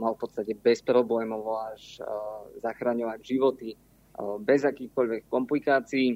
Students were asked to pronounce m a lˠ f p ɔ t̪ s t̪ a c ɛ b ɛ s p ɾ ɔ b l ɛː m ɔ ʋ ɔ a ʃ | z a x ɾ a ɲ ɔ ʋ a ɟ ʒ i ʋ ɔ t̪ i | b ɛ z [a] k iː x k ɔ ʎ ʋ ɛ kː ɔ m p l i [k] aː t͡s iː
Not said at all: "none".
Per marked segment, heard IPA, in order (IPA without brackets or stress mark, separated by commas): a, k